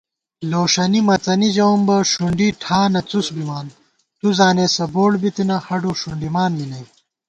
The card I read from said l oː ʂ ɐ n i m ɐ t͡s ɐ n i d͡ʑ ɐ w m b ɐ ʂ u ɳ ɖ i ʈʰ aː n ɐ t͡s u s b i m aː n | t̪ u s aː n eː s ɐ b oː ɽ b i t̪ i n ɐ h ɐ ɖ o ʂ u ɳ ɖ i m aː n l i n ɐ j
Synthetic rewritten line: l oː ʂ ɐ n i m ɐ t͡s ɐ n i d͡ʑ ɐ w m b ɐ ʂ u ɳ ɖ i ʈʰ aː n ɐ t͡s u s b i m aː n | t̪ u z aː n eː s ɐ b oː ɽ b i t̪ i n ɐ h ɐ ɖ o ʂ u ɳ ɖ i m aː n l i n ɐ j